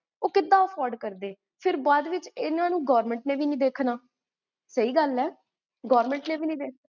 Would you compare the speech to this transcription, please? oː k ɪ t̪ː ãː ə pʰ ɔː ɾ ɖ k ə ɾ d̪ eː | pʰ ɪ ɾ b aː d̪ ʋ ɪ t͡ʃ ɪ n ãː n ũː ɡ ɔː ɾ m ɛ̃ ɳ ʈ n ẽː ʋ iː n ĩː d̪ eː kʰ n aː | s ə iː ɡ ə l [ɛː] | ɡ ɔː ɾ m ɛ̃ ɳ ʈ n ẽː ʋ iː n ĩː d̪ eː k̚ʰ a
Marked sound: correct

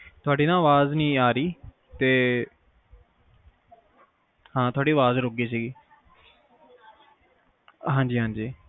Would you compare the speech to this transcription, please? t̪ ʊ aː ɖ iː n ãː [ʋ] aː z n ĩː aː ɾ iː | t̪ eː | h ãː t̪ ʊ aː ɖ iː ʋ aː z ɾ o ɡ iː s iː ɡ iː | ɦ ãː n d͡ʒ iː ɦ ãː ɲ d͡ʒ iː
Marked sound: correct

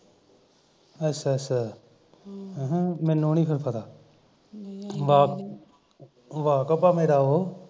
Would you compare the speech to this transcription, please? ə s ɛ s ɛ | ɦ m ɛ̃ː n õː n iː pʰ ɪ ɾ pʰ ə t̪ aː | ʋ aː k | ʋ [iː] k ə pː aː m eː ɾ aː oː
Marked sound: incorrect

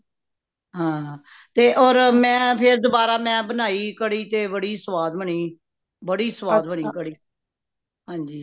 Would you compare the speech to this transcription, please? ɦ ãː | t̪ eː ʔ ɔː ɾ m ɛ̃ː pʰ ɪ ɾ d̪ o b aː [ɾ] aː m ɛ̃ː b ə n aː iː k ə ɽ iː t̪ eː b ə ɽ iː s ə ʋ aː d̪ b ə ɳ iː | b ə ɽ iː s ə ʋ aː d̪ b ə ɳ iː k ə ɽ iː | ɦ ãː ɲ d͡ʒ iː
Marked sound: correct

